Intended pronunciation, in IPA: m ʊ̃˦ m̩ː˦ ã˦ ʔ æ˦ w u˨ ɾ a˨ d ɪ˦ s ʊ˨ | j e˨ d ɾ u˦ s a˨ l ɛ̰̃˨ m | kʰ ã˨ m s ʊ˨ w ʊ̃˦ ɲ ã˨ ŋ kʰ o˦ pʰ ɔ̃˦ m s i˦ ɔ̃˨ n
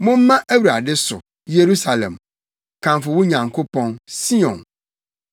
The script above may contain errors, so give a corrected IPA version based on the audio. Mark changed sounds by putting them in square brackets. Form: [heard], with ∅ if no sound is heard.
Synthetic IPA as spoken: m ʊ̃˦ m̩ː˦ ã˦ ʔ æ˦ w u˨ ɾ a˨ d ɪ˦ s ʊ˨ | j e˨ [∅] ɾ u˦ s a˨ l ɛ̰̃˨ m | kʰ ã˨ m [f] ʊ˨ w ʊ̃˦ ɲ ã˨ ŋ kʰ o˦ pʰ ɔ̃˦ [n] s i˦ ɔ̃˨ n